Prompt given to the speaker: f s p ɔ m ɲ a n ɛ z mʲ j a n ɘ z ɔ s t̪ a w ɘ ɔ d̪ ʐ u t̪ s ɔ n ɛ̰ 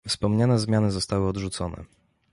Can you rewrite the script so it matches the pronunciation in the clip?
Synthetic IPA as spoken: f s p ɔ m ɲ a n ɛ z mʲ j a n ɘ z ɔ s t̪ a w ɘ ɔ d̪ ʐ u t̪ s ɔ n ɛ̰